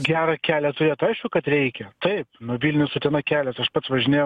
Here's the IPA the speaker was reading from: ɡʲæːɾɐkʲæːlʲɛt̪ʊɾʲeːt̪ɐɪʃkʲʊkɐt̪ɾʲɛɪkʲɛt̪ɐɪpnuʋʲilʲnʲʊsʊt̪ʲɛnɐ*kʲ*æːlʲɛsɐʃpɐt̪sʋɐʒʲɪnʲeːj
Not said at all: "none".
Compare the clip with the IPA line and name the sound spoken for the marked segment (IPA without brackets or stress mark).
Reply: kʲ